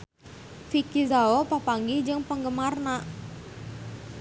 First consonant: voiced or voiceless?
voiceless